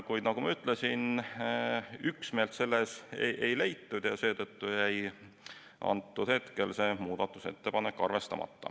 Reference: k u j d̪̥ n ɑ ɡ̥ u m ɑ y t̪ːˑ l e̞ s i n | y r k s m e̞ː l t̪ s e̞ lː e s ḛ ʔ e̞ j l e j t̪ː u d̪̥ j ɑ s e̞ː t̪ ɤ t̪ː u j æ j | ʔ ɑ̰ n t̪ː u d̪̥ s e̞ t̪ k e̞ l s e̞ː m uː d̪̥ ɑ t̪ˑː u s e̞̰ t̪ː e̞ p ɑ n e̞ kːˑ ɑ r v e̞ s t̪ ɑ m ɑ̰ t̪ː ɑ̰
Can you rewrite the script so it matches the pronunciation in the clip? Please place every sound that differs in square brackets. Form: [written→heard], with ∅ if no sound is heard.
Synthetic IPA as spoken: k u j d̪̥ n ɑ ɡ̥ u m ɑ y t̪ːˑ l e̞ s i n | y [r→∅] k s m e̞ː l t̪ s e̞ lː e s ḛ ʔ e̞ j l e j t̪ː u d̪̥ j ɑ s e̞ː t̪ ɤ t̪ː u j æ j | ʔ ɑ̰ n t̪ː u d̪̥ [s→h] e̞ t̪ k e̞ l s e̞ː m uː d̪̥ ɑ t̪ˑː u s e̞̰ t̪ː e̞ p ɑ n e̞ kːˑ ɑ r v e̞ s t̪ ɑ m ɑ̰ t̪ː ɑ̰